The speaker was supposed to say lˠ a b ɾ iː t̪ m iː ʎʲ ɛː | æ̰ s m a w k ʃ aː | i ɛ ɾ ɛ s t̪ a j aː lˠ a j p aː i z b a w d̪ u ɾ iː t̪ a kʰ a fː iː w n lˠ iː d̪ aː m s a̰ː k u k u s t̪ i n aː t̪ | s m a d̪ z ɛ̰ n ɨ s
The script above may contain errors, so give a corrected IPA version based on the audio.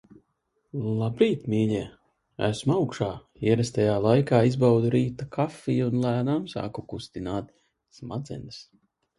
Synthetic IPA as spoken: lˠ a b ɾ iː t̪ m iː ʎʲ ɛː | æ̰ s m a w k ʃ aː | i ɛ ɾ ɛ s t̪ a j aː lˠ a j k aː i z b a w d̪ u ɾ iː t̪ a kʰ a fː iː u n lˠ æː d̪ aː m s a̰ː k u k u s t̪ i n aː t̪ | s m a d̪ z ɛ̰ n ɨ s